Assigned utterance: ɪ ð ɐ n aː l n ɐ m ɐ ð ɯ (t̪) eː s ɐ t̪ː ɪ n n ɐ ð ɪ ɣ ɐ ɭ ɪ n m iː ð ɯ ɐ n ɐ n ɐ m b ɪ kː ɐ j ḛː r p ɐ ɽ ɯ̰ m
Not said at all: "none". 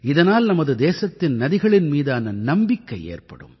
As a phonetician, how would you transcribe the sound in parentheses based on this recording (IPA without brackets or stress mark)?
d̪